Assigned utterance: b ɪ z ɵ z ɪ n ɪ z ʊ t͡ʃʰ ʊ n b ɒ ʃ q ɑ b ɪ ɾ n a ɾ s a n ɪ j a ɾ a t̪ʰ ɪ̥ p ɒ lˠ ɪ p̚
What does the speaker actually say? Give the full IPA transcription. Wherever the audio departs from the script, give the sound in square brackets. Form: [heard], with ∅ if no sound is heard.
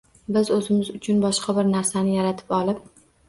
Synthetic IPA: b ɪ z ɵ z ɪ [m] ɪ z ʊ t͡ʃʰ ʊ n b ɒ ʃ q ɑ b ɪ ɾ n a ɾ s a n ɪ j a ɾ a t̪ʰ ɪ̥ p ɒ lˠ ɪ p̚